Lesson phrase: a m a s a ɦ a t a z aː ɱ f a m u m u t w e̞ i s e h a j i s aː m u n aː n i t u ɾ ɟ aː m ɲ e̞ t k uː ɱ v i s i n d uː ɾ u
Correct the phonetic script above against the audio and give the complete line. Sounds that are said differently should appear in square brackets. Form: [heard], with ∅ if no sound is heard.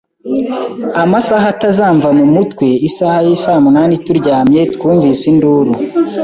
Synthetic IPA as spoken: a m a s a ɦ a t a z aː ɱ [v] a m u m u t w e̞ i s [a] h a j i s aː m u n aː n i t u ɾ ɟ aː m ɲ e̞ t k uː ɱ v i s i n d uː ɾ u